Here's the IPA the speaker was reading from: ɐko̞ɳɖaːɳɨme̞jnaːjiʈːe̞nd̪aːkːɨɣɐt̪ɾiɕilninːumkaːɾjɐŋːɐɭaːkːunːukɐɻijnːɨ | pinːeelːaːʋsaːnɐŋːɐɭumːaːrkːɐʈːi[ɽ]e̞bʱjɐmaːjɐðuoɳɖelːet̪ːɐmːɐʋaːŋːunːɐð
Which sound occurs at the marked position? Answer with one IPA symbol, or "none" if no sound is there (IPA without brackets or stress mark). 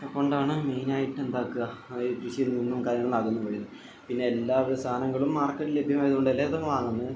l